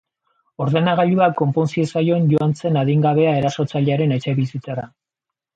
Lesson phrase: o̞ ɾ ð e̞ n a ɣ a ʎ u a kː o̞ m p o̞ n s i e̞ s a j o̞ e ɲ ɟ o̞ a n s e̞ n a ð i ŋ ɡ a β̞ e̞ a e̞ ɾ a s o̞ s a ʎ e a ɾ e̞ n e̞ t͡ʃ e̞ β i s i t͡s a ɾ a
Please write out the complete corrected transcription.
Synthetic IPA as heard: o̞ ɾ ð e̞ n a ɣ a ʎ u a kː o̞ m p o̞ n s i e̞ s a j o̞ e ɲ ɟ o̞ a n t͡s e̞ n a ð i ŋ ɡ a β̞ e̞ a e̞ ɾ a s o̞ t͡s a ʎ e a ɾ e̞ n e̞ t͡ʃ e̞ β i s i t͡s a ɾ a

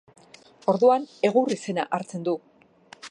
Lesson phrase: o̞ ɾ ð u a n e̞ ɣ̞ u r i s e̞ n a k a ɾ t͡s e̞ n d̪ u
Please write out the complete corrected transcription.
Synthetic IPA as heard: o̞ ɾ ð u a n e̞ ɣ̞ u r i s e̞ n a ʔ a ɾ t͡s e̞ n d̪ u

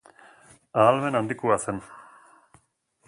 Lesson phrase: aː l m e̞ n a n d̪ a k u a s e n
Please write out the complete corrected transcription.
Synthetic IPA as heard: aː l m e̞ n a n d̪ i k u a s e n

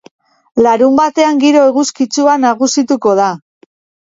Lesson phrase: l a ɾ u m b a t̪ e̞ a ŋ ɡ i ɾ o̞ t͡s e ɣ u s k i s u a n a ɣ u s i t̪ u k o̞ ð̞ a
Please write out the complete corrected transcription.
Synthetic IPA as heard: l a ɾ u m b a t̪ e̞ a ŋ ɡ i ɾ o̞ e ɣ u s k i t͡s u a n a ɣ u s i t̪ u k o̞ ð̞ a

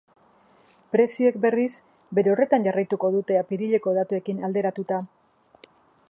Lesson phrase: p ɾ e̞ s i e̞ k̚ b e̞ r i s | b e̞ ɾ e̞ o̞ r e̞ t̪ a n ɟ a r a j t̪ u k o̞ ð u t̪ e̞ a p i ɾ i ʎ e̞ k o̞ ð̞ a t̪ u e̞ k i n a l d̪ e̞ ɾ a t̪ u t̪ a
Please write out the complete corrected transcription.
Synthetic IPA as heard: p ɾ e̞ s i e̞ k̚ b e̞ r i s | b e̞ ɾ e̞ o̞ r e̞ t̪ a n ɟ a r a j t̪ u k o̞ ð u t̪ e̞ a p i ɾ i ʎ e̞ k o̞ ð̞ a t̪ u e̞ k i n a l d̪ e̞ ɾ a t̪ u t̪ a

